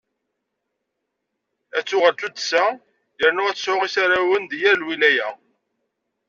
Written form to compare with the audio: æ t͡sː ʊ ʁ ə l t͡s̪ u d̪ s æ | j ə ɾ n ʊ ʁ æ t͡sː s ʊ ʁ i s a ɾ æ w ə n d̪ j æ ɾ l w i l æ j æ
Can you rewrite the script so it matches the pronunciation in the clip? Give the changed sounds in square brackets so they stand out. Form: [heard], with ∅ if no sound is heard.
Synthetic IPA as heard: æ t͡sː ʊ ʁ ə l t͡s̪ u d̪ s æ | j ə ɾ n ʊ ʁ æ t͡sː s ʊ ʁ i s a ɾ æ w ə n d̪ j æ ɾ l w i l æ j æ

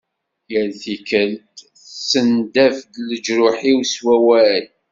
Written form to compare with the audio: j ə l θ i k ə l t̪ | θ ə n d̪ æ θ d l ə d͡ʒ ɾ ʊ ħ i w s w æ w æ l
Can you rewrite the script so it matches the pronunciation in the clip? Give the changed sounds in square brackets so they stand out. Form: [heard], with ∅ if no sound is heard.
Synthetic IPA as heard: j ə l θ i k ə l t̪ | [s] ə n d̪ æ [f] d l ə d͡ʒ ɾ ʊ ħ i w s w æ w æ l

